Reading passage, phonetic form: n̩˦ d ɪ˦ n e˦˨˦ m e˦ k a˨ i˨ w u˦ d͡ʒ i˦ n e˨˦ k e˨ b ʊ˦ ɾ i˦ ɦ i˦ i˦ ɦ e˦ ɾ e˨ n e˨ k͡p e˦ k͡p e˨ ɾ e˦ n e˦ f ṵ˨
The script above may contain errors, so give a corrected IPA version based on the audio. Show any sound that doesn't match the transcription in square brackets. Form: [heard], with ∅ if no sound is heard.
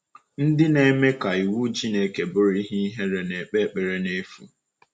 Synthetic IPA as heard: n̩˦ d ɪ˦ n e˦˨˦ m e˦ k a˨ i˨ w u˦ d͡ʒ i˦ n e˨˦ k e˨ b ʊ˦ ɾ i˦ ɦ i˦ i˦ ɦ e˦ ɾ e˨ n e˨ k͡p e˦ k͡p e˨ ɾ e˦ n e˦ f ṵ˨

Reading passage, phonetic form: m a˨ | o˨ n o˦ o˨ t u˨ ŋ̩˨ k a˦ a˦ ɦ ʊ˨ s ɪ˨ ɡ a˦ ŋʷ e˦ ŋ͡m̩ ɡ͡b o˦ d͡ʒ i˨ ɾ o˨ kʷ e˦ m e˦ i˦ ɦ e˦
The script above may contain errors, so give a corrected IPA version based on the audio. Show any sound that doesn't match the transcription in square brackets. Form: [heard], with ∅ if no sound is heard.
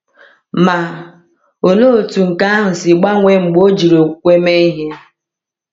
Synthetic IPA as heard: m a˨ | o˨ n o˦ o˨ t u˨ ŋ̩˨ k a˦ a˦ ɦ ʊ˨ s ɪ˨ [ɡ͡b] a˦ ŋʷ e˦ ŋ͡m̩ ɡ͡b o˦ d͡ʒ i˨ ɾ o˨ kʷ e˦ m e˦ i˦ ɦ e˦

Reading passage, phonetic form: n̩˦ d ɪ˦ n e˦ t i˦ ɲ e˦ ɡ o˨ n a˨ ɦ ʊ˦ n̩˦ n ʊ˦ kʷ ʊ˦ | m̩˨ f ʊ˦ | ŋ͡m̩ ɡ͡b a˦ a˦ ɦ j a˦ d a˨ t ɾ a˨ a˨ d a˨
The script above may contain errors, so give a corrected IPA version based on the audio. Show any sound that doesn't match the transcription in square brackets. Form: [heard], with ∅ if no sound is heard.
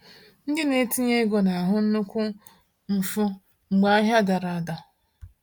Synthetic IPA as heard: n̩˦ d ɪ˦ n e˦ t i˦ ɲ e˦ ɡ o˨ n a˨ ɦ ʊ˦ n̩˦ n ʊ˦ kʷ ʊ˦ | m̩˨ f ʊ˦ | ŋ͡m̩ ɡ͡b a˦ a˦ ɦ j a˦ d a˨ [∅] ɾ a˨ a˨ d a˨

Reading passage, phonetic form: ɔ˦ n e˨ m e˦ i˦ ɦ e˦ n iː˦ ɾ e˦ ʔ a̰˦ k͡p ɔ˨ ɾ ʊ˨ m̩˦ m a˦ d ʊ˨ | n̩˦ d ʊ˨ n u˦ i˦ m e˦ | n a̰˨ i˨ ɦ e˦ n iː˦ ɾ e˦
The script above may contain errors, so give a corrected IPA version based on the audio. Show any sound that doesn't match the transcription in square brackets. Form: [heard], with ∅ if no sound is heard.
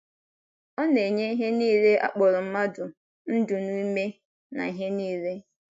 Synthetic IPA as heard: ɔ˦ n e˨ [ɲ] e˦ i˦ ɦ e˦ n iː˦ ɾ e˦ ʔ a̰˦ k͡p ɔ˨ ɾ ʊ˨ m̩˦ m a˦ d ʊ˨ | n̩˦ d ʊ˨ n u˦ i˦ m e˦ | n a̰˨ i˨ ɦ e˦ n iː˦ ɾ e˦

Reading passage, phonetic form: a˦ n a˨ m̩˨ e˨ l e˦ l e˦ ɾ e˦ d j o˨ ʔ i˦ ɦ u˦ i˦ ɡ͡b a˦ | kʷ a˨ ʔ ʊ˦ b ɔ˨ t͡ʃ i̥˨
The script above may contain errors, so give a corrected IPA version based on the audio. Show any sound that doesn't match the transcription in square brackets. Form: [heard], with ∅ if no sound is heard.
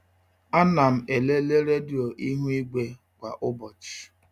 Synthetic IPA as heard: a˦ n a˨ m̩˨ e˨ l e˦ l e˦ ɾ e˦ d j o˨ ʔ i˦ ɦ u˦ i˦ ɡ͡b [e˦] | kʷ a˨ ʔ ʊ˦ b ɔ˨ t͡ʃ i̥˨

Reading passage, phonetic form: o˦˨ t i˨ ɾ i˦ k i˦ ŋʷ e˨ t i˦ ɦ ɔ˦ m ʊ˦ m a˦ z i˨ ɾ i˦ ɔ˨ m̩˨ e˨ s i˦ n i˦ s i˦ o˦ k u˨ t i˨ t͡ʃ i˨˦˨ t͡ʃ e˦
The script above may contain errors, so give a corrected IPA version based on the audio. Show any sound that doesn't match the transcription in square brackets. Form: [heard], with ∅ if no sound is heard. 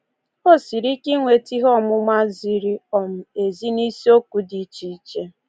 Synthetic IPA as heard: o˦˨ [s] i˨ ɾ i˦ k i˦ ŋʷ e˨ t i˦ ɦ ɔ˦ m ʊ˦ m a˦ z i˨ ɾ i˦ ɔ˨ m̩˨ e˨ [z] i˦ n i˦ s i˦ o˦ k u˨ [d] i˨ t͡ʃ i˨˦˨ t͡ʃ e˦

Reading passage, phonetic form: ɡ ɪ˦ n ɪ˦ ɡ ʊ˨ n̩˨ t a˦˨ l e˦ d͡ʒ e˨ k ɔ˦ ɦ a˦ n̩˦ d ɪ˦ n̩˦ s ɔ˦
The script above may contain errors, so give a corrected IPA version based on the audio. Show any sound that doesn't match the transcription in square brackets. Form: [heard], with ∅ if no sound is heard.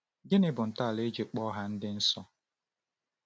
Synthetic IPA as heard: ɡ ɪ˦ n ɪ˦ [b] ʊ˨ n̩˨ t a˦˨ l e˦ d͡ʒ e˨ [k͡p] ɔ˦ ɦ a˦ n̩˦ d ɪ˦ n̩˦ s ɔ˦

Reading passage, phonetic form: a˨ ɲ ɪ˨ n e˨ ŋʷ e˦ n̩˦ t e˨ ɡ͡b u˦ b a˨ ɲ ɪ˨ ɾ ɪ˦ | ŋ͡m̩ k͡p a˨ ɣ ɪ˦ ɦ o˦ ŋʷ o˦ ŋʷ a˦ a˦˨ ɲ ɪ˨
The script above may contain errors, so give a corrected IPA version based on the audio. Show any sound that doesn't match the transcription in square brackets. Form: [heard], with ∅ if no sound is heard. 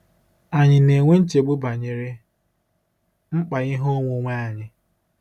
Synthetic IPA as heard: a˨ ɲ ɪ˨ n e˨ ŋʷ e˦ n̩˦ [t͡ʃ] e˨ ɡ͡b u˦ b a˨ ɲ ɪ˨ ɾ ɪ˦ | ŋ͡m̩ k͡p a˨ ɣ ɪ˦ ɦ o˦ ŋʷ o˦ ŋʷ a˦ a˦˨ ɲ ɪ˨

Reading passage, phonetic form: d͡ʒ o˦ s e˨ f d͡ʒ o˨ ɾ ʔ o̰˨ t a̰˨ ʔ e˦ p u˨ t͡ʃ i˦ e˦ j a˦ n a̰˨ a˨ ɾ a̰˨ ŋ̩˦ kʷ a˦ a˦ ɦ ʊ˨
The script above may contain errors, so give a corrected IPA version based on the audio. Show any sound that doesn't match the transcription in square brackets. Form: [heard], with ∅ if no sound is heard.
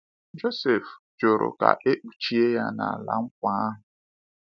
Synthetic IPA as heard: d͡ʒ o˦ s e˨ f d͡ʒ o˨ ɾ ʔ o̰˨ [k] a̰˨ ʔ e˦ [k͡p] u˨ t͡ʃ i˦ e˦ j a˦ n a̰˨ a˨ [l] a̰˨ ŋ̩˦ kʷ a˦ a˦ ɦ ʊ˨

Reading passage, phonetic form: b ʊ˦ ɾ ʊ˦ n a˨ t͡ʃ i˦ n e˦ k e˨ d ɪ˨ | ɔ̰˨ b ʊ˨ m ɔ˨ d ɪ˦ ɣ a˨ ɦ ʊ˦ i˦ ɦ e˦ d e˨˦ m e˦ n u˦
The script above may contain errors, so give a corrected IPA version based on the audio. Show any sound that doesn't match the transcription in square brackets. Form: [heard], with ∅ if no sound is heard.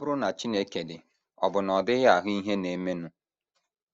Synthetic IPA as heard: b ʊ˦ ɾ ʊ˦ n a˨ t͡ʃ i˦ n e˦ k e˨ d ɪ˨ | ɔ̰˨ b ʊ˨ [n] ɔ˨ d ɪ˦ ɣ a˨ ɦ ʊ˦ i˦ ɦ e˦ [n] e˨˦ m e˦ n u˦

